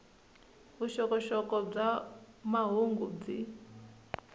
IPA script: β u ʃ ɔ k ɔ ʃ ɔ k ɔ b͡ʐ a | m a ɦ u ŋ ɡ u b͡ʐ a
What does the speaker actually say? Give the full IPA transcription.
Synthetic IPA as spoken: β u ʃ ɔ k ɔ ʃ ɔ k ɔ b͡ʐ a | m a ɦ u ŋ ɡ u b͡ʐ i